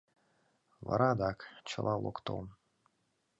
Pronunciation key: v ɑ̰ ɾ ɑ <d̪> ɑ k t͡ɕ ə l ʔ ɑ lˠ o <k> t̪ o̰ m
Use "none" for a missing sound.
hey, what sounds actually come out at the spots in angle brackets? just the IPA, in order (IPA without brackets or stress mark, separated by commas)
d̪, k